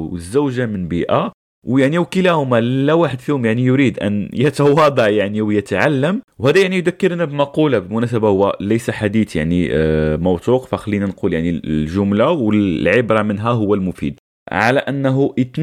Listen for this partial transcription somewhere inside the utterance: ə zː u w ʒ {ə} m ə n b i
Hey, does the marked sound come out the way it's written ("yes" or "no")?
no